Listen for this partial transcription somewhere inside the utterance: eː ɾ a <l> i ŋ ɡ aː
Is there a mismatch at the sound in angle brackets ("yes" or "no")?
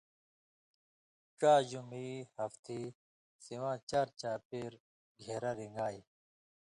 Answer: yes